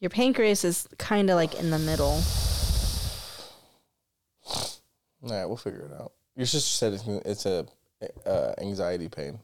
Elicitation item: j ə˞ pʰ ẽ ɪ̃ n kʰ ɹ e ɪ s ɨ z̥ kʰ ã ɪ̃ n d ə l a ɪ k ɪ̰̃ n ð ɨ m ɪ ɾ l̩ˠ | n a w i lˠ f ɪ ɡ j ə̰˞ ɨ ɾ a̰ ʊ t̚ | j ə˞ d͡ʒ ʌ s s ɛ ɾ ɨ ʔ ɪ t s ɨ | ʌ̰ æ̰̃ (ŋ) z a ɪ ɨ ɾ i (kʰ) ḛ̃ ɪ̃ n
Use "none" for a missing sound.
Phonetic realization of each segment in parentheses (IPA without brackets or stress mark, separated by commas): ŋ, pʰ